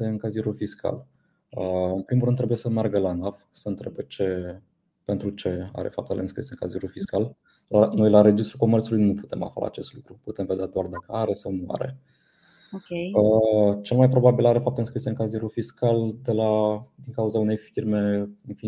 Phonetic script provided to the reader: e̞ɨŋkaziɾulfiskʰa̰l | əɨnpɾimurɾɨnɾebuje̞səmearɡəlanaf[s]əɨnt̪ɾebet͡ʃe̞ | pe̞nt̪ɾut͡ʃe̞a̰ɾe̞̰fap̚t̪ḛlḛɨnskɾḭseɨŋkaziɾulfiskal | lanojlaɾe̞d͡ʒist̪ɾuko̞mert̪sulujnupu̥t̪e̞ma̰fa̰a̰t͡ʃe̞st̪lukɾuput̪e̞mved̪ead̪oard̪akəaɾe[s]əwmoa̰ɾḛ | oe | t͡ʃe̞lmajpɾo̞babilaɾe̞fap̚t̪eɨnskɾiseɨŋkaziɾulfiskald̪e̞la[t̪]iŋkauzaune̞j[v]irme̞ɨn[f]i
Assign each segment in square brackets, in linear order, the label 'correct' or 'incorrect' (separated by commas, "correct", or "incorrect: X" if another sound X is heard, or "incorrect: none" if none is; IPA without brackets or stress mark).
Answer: correct, correct, incorrect: d̪, incorrect: f, correct